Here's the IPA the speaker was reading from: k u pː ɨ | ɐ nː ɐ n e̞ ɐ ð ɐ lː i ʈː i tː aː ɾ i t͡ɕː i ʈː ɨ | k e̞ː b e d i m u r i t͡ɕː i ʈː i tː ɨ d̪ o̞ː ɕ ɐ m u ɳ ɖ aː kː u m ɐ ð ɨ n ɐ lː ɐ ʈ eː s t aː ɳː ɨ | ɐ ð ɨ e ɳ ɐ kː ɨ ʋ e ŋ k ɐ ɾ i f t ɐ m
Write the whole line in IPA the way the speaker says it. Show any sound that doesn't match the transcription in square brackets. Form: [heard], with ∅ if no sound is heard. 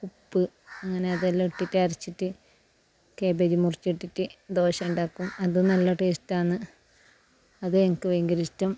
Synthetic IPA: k u pː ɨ | ɐ [ŋː] ɐ n e̞ ɐ ð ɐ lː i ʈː i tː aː ɾ i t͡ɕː i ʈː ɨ | k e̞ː b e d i m u r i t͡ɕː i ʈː i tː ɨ d̪ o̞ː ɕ ɐ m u ɳ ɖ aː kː u m ɐ ð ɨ n ɐ lː ɐ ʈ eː s t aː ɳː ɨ | ɐ ð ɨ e [ŋ] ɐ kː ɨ ʋ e ŋ [ɡ] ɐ ɾ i [s] t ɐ m